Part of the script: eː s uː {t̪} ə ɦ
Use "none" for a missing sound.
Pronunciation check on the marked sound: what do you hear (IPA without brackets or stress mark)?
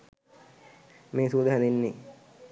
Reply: d̪